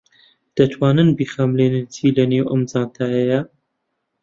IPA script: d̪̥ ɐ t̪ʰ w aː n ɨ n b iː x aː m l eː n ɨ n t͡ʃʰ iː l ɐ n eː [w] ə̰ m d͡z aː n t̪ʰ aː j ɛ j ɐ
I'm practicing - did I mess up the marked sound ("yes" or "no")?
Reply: no